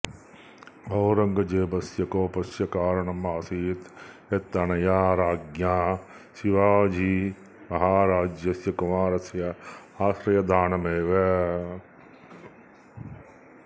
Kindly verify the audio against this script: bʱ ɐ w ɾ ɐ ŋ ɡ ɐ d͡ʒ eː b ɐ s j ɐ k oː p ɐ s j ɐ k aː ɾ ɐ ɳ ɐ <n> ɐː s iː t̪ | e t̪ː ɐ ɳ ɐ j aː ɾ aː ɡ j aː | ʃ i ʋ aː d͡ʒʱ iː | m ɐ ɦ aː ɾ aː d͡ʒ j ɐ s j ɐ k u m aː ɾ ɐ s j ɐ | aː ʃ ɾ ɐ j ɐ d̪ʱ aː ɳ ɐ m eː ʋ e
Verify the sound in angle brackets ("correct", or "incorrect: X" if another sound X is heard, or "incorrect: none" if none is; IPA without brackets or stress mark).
incorrect: m